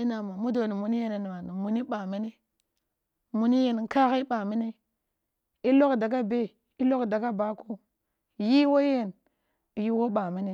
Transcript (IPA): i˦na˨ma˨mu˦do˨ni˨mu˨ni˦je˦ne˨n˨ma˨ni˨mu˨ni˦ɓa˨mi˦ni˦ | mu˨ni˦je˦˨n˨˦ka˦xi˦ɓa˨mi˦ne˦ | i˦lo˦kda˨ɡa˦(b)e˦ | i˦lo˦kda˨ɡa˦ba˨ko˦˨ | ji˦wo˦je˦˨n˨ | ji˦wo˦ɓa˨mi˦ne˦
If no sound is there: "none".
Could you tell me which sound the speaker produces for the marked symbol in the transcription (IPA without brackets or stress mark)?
b